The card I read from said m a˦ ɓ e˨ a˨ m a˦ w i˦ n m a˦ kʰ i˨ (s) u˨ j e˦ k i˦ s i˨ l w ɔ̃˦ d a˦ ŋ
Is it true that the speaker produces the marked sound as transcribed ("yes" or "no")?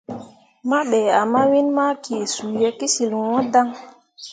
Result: yes